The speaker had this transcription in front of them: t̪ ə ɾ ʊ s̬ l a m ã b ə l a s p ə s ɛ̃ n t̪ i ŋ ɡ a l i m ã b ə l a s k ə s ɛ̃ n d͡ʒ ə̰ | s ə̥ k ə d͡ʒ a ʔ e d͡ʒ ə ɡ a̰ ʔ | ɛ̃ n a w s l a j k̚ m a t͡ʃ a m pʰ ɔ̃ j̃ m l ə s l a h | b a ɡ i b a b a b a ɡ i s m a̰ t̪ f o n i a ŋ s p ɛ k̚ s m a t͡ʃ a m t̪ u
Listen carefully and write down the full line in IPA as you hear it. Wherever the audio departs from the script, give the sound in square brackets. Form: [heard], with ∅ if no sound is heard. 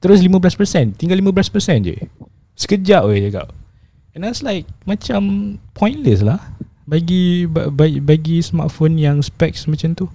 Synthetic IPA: t̪ ə ɾ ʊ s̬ l [i] m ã b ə l a s p ə s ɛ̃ n t̪ i ŋ ɡ a l i m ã b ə l a s [p] ə s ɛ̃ n d͡ʒ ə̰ | s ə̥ k ə d͡ʒ a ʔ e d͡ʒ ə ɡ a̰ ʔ | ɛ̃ n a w s l a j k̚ m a t͡ʃ a m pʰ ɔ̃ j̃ [n] l ə s l a h | b a ɡ i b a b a b a ɡ i s m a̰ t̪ f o n [j] a ŋ s p ɛ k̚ s m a t͡ʃ a m t̪ u